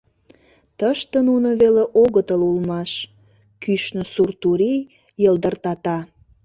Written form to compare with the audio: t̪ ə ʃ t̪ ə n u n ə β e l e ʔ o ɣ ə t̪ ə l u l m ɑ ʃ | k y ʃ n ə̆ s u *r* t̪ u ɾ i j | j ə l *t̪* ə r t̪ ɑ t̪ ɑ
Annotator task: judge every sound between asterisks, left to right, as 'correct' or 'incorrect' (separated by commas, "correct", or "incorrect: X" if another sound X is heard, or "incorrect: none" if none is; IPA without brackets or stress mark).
correct, incorrect: d̪